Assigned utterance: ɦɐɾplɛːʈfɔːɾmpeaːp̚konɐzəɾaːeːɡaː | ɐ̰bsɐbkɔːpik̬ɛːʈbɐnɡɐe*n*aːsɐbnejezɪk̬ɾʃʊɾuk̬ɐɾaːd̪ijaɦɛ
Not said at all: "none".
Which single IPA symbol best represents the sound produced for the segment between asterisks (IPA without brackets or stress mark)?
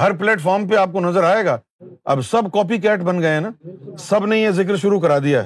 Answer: n